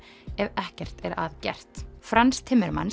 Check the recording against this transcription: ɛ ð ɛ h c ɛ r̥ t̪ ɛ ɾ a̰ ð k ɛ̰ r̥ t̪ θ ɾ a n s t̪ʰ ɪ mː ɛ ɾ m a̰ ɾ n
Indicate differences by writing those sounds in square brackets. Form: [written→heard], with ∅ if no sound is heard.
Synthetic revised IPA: ɛ [ð→v] ɛ h c ɛ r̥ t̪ ɛ ɾ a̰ ð [k→c] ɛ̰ r̥ t̪ [θ→f] ɾ a n s t̪ʰ ɪ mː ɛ ɾ m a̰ [ɾ→∅] n